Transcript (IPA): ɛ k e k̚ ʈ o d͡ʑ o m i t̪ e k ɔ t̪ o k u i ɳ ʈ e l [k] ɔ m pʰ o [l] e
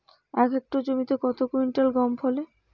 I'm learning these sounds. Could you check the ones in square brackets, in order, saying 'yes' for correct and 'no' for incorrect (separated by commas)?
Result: no, yes